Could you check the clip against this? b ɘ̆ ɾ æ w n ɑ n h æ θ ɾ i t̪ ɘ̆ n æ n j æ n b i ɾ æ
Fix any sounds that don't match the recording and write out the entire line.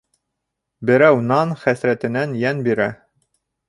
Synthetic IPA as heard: b ɘ̆ ɾ æ w n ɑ n χ æ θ ɾ æ t̪ ɘ̆ n æ n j æ n b i ɾ æ